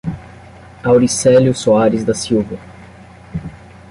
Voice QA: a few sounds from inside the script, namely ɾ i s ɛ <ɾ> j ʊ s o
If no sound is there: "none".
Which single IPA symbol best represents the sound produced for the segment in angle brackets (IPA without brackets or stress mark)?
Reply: l